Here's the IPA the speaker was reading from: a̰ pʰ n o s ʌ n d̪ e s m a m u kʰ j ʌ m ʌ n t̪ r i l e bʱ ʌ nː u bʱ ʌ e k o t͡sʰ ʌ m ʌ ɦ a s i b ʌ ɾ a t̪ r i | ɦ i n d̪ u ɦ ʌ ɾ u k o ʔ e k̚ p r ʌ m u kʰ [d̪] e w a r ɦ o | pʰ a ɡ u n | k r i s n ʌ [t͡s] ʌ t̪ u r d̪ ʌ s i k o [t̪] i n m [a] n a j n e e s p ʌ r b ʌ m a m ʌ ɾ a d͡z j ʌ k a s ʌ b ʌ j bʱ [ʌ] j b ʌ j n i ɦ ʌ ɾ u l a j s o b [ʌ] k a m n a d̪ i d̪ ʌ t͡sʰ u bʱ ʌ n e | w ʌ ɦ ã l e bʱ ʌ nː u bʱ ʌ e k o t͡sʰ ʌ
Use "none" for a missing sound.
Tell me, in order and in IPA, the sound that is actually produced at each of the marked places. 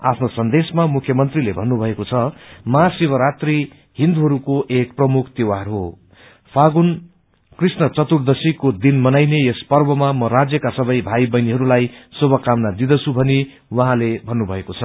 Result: t̪, t͡s, d̪, ʌ, a, ʌ

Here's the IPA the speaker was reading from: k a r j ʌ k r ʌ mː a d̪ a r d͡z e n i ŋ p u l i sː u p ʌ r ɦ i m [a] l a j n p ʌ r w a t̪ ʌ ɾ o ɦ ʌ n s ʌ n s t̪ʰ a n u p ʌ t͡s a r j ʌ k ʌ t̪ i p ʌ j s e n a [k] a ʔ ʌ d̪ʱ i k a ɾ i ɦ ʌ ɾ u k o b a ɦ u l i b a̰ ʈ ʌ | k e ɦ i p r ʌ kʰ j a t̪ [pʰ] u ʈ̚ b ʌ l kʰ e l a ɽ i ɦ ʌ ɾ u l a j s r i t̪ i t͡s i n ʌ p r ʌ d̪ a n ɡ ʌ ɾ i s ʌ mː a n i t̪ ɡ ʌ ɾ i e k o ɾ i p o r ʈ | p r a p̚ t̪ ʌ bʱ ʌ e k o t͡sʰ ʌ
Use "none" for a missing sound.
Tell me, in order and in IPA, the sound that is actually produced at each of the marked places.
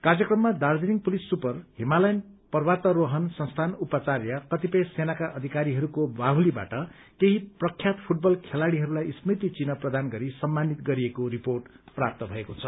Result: a, k, pʰ

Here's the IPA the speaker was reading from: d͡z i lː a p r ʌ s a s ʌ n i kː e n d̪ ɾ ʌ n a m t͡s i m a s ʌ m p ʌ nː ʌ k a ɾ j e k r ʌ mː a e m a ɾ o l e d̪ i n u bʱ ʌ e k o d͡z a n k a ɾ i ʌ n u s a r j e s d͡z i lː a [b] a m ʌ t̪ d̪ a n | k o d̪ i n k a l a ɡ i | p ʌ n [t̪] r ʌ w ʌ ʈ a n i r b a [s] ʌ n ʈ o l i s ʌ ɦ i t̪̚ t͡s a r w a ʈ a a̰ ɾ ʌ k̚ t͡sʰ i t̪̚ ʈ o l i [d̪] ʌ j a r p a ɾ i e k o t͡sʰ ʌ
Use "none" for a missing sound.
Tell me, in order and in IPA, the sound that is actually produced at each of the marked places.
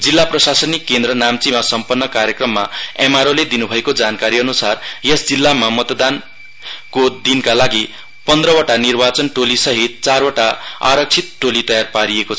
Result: m, d̪, t͡s, t̪

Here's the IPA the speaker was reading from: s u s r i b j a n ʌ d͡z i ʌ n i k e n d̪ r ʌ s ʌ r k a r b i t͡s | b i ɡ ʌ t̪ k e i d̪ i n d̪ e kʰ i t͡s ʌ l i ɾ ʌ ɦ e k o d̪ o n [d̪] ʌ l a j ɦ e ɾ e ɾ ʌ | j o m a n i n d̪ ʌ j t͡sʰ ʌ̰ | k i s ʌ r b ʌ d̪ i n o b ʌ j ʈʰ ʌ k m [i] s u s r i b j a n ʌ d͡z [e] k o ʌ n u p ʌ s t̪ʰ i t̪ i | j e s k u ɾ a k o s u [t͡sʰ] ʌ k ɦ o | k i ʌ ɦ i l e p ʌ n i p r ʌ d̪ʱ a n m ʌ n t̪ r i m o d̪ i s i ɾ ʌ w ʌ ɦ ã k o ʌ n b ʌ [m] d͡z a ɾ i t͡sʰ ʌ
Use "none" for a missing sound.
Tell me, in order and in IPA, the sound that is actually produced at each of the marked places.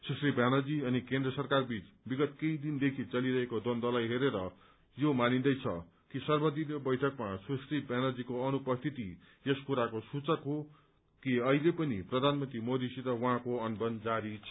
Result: d̪, a, i, t͡s, n

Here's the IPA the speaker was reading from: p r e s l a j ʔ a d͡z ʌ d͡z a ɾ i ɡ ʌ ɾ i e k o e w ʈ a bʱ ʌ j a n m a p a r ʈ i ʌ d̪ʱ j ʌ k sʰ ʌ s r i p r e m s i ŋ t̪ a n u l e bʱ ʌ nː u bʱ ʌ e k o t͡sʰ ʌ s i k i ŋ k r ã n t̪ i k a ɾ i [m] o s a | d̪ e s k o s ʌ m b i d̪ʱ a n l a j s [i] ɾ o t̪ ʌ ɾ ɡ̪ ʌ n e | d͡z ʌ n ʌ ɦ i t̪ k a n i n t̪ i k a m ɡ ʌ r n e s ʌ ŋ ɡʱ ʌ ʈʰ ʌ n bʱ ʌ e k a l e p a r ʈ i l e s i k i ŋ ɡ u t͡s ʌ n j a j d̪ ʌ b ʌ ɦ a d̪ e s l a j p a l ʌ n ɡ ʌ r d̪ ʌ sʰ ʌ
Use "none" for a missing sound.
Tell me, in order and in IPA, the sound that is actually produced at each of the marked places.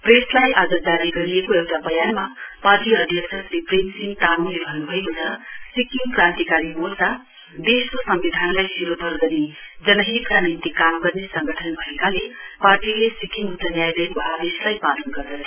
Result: m, i

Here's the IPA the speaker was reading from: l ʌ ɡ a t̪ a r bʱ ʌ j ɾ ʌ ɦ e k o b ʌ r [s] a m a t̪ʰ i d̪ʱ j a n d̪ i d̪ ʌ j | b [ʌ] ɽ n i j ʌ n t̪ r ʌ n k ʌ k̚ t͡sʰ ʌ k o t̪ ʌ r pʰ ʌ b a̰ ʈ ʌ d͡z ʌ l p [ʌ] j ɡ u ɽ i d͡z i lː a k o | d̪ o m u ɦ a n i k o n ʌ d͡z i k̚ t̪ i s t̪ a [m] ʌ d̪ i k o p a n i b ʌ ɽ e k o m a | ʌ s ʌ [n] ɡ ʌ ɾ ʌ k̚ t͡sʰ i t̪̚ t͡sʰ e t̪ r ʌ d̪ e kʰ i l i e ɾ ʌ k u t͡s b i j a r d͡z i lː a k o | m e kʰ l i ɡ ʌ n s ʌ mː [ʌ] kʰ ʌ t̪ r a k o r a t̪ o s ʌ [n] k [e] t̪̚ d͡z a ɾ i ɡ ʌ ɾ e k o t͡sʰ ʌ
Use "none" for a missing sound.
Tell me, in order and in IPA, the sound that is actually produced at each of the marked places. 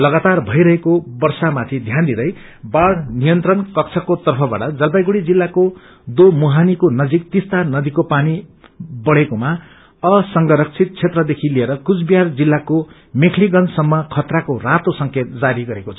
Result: s, a, a, n, ŋ, ʌ, ŋ, e

